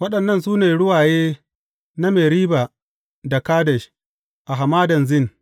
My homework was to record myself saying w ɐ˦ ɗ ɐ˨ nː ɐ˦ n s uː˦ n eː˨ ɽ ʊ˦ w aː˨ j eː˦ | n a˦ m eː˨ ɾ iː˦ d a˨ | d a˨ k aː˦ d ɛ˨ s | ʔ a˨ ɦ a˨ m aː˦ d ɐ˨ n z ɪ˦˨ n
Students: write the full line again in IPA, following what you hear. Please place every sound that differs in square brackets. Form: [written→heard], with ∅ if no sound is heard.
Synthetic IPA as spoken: w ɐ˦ ɗ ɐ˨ nː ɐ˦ n s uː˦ n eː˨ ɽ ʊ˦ w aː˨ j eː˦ | n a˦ m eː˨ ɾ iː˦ [d→b] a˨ | d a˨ k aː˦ d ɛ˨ [s→ʃ] | ʔ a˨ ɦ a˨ m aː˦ d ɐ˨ n z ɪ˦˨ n